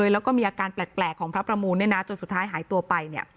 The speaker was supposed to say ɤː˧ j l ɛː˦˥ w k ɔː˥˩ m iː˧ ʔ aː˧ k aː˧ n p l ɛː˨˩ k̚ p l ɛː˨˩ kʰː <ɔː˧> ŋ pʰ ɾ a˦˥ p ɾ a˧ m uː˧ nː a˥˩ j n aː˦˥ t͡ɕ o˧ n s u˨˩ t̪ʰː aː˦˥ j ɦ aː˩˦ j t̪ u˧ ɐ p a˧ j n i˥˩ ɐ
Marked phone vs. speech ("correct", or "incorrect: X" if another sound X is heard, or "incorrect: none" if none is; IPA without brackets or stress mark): incorrect: ɔː˩˦